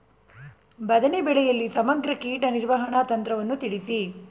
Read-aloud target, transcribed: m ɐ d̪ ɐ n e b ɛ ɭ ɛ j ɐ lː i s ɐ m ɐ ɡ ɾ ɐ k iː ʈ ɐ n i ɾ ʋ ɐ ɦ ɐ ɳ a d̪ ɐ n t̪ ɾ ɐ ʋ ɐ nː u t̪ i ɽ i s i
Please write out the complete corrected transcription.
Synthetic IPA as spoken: b ɐ d̪ ɐ n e b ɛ ɭ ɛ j ɐ lː i s ɐ m ɐ ɡ ɾ ɐ k iː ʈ ɐ n i ɾ ʋ ɐ ɦ ɐ ɳ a t̪ ɐ n t̪ ɾ ɐ ʋ ɐ nː u t̪ i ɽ i s i